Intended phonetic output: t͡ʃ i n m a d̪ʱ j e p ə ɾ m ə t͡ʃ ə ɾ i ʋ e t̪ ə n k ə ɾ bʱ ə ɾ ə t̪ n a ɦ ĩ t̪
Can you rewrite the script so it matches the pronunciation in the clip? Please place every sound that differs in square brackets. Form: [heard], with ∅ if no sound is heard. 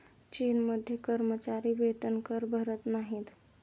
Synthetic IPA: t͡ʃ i n m [ə] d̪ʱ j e [k] ə ɾ m ə t͡ʃ [a] ɾ i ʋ e t̪ ə n k ə ɾ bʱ ə ɾ ə t̪ n a ɦ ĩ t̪

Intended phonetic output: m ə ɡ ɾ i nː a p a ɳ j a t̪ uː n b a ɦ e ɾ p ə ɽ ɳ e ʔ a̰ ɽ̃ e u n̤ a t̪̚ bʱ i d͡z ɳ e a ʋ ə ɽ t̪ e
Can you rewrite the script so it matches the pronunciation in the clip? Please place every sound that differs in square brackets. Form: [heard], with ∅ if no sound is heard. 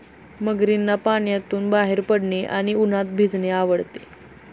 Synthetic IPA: m ə ɡ ɾ i nː a p a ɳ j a t̪ uː n b a ɦ e ɾ p ə ɽ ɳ e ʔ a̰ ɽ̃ [i] u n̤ a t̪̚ bʱ i d͡z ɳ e a ʋ ə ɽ t̪ e

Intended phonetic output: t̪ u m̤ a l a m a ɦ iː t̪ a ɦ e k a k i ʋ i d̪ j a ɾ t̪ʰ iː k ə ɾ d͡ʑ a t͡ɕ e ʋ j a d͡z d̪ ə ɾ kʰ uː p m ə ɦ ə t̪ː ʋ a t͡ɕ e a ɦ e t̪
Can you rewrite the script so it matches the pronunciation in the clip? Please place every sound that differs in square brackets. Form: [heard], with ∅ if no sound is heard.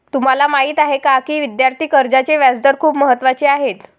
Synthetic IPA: t̪ u m̤ a l a m a ɦ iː t̪ a ɦ e k a k [iː] ʋ i d̪ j a ɾ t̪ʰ iː k ə ɾ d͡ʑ a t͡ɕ e ʋ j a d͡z d̪ ə ɾ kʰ uː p m ə ɦ ə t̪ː ʋ a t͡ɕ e a ɦ e t̪

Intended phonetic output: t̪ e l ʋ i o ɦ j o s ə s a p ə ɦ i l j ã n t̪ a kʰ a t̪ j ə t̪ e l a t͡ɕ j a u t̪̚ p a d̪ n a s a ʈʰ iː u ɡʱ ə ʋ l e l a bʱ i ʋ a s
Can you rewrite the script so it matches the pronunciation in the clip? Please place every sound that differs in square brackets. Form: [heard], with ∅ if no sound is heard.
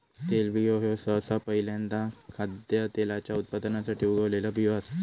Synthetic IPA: t̪ e l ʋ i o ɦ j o s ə s a p ə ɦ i l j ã n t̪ a kʰ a [d̪] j ə t̪ e l a t͡ɕ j a u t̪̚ p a d̪ n a s a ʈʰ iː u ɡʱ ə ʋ l e l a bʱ i ʋ a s

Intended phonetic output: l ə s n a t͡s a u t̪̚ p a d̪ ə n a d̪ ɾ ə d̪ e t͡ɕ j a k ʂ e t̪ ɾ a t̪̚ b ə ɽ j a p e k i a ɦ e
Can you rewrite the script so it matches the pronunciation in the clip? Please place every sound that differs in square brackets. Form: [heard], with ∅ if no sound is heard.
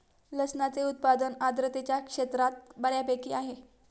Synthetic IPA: l ə s n a t͡s [e] u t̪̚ p a d̪ ə n a d̪ ɾ ə [t̪] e t͡ɕ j a k ʂ e t̪ ɾ a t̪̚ b ə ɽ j a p e k i a ɦ e

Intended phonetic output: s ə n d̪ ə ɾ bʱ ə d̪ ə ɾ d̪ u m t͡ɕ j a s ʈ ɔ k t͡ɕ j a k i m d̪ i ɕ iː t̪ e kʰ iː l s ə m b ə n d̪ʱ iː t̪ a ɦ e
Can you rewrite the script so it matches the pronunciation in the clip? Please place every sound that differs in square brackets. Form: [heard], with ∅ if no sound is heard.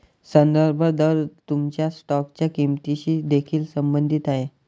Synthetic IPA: s ə n d̪ ə ɾ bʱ ə d̪ ə ɾ [t̪] u m t͡ɕ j a s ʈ ɔ k t͡ɕ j a k i m [t̪] i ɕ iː [d̪] e kʰ iː l s ə m b ə n d̪ʱ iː t̪ a ɦ e

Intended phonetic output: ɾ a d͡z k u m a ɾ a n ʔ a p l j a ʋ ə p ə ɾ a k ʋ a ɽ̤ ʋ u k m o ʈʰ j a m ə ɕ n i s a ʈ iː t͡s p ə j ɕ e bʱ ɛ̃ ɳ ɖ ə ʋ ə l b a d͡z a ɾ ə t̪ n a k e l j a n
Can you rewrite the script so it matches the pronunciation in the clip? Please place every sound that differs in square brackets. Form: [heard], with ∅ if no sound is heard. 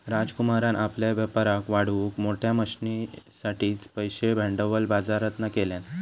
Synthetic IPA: ɾ a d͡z k u m a ɾ a n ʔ a p l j a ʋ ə p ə ɾ a k ʋ a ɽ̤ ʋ u k m o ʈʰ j a m ə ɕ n i s a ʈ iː t͡s p ə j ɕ e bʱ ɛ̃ ɳ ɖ ə ʋ ə l b a d͡z a ɾ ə t̪ n a k e l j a n

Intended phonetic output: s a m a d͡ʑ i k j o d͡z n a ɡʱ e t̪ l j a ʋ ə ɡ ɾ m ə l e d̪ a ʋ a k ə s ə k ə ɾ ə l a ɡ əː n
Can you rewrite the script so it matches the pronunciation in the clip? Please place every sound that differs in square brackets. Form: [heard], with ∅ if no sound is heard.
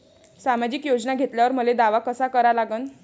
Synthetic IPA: s a m a d͡ʑ i k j o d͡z n a ɡʱ e t̪ l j a ʋ ə [∅] ɾ m ə l e d̪ a ʋ a k ə s [a] k ə ɾ [a] l a ɡ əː n

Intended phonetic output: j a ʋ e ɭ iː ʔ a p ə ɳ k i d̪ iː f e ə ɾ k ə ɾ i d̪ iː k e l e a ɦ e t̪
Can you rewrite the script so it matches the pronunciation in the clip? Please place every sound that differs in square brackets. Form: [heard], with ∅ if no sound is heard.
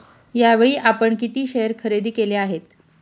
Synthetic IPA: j a ʋ e ɭ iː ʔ a p ə ɳ k i [t̪] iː [ɕ] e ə ɾ [kʰ] ə ɾ [e] d̪ iː k e l e a ɦ e t̪

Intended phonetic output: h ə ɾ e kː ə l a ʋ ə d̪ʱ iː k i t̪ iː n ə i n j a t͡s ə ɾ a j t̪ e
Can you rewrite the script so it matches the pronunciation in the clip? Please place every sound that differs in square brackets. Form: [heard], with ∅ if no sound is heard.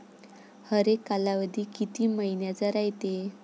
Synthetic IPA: h ə ɾ e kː [a] l a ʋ ə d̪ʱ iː k i t̪ iː [m] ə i n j a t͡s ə ɾ a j t̪ e

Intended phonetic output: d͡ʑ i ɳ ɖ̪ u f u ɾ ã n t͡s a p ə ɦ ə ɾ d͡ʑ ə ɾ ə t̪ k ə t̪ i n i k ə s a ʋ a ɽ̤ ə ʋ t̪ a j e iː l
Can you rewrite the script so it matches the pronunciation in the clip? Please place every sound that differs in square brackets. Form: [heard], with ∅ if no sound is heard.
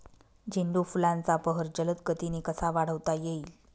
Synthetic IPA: d͡ʑ i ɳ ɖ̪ u f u [l] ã n t͡s a p ə ɦ ə ɾ d͡ʑ ə [l] ə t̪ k ə t̪ i n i k ə s a ʋ a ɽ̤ ə ʋ t̪ a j e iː l

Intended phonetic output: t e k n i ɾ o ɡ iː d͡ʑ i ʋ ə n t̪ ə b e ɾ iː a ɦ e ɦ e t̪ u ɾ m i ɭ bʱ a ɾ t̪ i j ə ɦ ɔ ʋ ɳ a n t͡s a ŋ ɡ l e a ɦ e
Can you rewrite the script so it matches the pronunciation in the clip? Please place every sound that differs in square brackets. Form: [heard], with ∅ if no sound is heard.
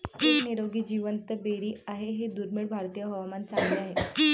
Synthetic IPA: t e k n i ɾ o ɡ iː d͡ʑ i ʋ ə n t̪ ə b e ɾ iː a ɦ e ɦ e [d̪] u ɾ m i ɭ bʱ a ɾ t̪ i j ə ɦ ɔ ʋ [m] a n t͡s a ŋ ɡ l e a ɦ e

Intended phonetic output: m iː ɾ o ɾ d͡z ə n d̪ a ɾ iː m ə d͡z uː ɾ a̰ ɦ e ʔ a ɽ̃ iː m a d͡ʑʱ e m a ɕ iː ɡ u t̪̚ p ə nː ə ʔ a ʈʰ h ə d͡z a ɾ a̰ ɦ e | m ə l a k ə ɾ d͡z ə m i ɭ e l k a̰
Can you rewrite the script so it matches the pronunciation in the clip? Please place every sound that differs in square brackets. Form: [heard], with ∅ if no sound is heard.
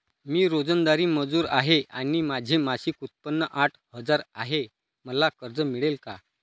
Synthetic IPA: m iː ɾ o [∅] d͡z ə n d̪ a ɾ iː m ə d͡z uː ɾ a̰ ɦ e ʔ a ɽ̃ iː m a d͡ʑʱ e m a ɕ iː [k] u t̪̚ p ə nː ə ʔ a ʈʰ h ə d͡z a ɾ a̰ ɦ e | m ə l a k ə ɾ d͡z ə m i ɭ e l k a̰

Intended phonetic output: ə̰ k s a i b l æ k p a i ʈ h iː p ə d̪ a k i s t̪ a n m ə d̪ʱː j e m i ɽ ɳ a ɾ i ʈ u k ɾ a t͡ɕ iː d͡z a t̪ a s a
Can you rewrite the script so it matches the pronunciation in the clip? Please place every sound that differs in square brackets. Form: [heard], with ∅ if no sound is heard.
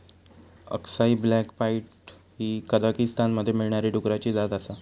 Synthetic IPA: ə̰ k s a i b l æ k p a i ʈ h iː [k] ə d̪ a k i s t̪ a n m ə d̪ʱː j e m i [ɭ] ɳ a ɾ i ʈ u k ɾ a t͡ɕ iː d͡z a t̪ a s a

